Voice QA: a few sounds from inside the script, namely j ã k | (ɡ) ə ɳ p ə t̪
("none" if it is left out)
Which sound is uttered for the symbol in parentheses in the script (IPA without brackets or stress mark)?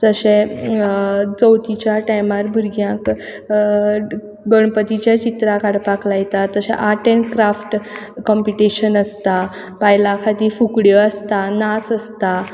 ɡ